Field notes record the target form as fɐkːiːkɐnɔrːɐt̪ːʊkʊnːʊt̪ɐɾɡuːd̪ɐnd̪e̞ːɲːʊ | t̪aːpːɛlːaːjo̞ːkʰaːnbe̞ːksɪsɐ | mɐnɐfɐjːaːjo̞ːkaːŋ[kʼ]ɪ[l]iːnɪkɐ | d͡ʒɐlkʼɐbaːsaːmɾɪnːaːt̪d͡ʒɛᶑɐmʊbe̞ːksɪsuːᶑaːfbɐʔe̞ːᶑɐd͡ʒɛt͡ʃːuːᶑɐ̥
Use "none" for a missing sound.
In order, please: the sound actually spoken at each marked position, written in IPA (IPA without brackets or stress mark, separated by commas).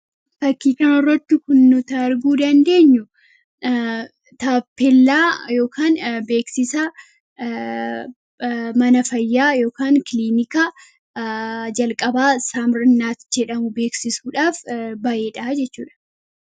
k, l